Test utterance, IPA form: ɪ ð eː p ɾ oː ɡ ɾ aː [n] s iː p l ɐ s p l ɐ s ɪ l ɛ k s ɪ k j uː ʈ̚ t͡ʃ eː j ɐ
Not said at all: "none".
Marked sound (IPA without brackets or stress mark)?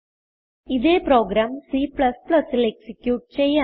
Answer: m